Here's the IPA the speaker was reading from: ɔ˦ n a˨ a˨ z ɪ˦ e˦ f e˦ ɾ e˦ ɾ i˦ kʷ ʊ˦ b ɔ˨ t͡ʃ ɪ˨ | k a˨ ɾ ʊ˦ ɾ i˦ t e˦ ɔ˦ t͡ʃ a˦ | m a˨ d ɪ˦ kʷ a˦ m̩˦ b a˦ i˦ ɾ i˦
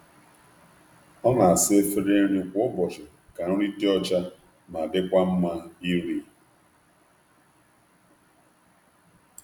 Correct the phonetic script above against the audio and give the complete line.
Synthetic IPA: ɔ˦ n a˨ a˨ s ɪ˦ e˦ f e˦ ɾ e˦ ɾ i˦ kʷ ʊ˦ b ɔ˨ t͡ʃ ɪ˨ | k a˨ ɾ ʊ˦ ɾ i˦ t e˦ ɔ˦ t͡ʃ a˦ | m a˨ d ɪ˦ kʷ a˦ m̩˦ m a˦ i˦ ɾ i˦

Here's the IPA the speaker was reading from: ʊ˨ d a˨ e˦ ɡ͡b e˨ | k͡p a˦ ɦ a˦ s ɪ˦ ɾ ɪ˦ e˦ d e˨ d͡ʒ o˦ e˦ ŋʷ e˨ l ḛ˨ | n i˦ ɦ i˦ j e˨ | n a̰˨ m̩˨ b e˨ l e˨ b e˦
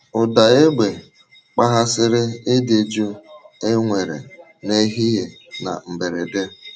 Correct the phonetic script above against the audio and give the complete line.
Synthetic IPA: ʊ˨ d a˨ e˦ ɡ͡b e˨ | k͡p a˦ ɦ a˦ s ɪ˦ ɾ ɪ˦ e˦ d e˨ d͡ʒ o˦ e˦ ŋʷ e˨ ɾ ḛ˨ | n e˦ ɦ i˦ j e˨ | n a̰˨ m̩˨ b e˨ ɾ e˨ d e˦

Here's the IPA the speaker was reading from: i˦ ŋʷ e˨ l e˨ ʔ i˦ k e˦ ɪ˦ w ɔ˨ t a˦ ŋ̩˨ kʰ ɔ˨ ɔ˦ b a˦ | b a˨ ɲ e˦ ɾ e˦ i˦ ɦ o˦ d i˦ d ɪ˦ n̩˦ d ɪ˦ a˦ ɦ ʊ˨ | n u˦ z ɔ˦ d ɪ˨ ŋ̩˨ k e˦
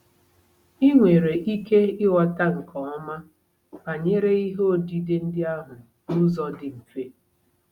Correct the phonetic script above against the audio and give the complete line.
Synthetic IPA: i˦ ŋʷ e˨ ɾ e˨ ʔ i˦ k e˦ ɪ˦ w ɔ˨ t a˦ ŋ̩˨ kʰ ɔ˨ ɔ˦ m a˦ | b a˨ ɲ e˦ ɾ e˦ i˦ ɦ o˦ d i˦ d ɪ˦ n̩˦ d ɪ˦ a˦ ɦ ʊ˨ | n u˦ z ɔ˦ d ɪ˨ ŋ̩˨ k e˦

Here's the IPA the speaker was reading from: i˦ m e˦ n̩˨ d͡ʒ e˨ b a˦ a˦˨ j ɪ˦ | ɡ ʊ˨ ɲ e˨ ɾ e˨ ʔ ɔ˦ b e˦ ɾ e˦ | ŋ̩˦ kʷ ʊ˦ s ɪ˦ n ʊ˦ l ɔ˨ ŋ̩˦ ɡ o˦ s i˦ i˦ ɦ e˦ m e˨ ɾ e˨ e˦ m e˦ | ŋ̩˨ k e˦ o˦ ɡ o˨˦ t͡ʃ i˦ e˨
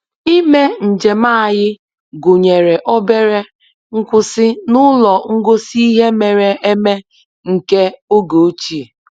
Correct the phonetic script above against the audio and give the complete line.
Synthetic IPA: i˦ m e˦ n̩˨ d͡ʒ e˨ m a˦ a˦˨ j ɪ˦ | ɡ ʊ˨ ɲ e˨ ɾ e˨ ʔ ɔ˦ b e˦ ɾ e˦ | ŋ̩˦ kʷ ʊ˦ s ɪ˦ n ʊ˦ l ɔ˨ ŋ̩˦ ɡ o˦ s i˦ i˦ ɦ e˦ m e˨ ɾ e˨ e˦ m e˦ | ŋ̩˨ k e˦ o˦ ɡ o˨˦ t͡ʃ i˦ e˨

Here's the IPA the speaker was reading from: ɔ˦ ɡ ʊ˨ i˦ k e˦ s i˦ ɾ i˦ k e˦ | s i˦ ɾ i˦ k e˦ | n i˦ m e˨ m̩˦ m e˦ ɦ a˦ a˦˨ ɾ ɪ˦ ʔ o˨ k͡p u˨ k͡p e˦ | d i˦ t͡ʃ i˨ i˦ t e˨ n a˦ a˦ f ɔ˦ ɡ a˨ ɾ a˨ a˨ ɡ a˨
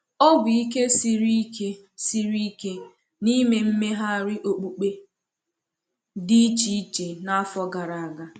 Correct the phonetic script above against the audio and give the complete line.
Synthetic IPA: ɔ˦ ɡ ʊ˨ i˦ k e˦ s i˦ ɾ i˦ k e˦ | s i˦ ɾ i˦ k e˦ | n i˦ m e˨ m̩˦ m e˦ ɦ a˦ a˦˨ ɾ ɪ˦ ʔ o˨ k͡p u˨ k͡p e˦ | d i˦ t͡ʃ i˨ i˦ t͡ʃ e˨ n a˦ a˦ f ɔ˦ ɡ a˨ ɾ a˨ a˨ ɡ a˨

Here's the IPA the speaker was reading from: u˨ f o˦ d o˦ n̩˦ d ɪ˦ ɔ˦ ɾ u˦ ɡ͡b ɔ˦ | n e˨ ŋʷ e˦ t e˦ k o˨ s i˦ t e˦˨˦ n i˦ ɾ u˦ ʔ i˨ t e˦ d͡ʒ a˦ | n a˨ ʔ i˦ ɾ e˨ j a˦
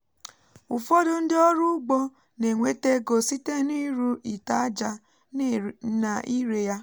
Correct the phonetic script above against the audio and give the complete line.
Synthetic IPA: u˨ f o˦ d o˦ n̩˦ d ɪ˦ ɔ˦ ɾ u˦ ɡ͡b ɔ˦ | n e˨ ŋʷ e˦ t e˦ ɡ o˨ s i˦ t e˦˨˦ n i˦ ɾ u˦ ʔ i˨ t a˦ d͡ʒ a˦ | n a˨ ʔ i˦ ɾ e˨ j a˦

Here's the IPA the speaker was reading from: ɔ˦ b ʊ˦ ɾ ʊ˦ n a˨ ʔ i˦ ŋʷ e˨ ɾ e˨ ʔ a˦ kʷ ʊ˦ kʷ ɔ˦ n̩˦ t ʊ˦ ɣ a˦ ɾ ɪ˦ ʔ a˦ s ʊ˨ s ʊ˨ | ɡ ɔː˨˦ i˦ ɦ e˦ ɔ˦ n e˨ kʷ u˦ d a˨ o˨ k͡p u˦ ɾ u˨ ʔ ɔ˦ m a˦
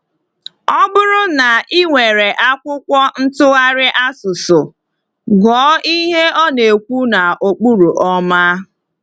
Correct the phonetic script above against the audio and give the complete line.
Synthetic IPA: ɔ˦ b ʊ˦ ɾ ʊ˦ n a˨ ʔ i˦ ŋʷ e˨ ɾ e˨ ʔ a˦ kʷ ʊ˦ kʷ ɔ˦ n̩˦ t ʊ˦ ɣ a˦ ɾ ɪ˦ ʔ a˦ s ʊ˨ s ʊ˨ | ɡ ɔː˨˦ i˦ ɦ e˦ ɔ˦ n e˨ kʷ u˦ n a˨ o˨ k͡p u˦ ɾ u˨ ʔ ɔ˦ m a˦

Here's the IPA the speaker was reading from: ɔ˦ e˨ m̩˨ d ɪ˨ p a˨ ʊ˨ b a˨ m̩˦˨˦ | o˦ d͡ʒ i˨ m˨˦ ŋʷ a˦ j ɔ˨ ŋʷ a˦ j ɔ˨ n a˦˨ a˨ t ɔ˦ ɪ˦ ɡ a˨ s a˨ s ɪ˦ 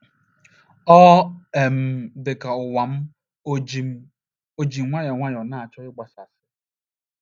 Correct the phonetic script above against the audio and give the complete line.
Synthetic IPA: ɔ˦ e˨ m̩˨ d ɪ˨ k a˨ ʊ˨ w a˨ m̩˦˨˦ | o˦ d͡ʒ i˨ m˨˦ ŋʷ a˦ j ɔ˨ ŋʷ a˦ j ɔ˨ n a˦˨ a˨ t͡ʃ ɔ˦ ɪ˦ ɡ͡b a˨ s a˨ s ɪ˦

